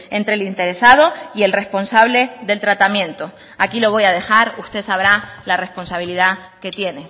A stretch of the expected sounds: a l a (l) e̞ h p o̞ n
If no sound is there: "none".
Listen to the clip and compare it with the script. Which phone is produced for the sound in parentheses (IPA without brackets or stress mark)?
r